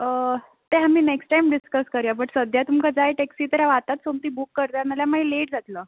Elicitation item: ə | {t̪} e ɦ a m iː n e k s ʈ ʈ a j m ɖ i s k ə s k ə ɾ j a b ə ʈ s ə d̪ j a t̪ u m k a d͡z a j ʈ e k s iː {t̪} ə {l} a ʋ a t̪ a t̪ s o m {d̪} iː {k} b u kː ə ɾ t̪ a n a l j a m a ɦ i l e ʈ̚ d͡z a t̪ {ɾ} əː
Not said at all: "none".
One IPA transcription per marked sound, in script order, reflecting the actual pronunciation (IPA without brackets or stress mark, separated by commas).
t̪, t̪, ɾ, t̪, none, l